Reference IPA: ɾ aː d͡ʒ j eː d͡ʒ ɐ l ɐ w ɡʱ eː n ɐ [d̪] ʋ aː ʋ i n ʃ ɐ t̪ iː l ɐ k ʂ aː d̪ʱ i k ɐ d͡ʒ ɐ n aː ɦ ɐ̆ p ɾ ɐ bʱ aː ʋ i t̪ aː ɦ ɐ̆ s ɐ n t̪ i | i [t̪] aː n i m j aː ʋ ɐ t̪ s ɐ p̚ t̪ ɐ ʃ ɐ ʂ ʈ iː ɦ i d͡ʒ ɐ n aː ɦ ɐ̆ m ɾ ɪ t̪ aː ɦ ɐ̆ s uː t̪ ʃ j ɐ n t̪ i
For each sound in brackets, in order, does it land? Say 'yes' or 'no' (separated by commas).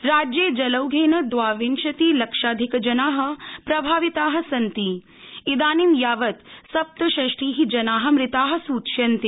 yes, no